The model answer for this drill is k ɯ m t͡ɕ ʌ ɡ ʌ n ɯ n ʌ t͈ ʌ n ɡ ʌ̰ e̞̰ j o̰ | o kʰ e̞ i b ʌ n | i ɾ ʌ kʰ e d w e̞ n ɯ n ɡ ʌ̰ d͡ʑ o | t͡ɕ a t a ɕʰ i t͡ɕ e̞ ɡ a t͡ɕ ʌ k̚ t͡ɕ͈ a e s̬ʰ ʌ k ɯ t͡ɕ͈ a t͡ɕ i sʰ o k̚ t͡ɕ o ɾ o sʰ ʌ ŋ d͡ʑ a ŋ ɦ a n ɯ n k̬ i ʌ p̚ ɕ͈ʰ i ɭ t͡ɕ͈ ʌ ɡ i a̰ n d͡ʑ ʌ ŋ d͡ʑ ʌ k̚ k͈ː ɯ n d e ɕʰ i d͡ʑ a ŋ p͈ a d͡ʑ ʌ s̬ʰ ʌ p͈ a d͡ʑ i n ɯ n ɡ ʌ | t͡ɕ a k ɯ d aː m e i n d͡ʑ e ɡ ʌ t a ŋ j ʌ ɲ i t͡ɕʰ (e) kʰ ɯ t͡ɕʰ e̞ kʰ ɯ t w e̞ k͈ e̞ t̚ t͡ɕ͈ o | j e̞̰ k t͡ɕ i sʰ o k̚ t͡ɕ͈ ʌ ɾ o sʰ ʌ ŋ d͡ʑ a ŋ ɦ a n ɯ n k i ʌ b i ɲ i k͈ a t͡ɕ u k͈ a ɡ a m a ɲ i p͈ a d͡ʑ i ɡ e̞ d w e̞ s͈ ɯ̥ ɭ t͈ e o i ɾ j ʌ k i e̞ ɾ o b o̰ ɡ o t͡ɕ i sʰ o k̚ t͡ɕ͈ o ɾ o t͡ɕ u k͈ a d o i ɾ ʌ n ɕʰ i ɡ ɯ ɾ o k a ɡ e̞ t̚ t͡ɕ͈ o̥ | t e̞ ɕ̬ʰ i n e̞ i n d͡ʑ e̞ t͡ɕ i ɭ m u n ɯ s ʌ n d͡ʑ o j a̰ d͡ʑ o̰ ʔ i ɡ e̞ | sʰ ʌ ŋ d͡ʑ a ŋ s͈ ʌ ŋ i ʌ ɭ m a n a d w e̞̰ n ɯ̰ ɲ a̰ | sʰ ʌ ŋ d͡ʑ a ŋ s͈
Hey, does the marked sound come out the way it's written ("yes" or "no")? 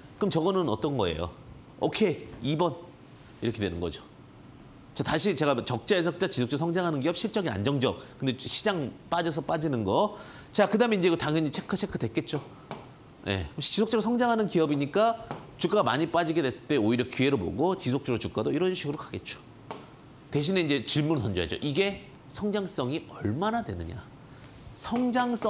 yes